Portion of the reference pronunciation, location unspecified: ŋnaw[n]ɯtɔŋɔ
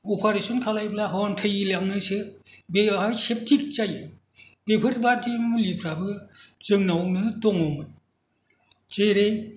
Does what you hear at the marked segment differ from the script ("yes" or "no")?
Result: no